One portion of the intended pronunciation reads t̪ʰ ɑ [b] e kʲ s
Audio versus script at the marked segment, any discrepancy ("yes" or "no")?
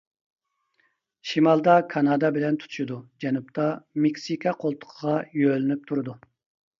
yes